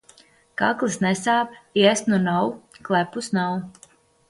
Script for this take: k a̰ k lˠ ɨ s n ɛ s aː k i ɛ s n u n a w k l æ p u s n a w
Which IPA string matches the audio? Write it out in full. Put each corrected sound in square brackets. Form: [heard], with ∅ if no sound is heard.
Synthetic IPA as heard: k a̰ k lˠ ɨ s n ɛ s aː [p] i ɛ s n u n a w k l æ p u s n a w